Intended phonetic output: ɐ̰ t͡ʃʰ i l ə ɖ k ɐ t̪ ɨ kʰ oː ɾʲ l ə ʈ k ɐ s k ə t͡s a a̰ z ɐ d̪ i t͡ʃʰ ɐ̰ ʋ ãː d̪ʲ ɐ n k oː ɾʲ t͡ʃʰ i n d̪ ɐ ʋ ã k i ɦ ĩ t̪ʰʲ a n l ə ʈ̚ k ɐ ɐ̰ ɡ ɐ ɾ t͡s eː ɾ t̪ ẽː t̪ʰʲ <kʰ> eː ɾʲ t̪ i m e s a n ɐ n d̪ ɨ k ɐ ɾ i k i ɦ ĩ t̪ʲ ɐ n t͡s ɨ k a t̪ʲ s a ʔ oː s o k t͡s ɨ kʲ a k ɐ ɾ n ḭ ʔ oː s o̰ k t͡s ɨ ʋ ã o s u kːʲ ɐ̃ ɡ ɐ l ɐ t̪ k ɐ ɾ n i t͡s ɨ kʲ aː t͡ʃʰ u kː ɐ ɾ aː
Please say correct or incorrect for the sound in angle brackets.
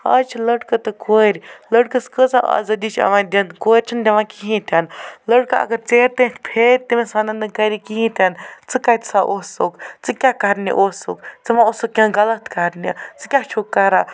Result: incorrect